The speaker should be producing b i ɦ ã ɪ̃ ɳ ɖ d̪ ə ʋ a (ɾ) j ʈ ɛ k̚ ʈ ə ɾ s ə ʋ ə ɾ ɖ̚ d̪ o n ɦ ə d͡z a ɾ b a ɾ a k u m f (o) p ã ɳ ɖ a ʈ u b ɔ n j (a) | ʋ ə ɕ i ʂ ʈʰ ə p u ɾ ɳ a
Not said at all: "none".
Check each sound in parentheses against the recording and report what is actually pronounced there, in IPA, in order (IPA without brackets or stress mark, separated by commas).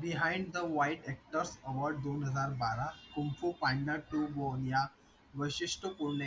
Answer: none, u, a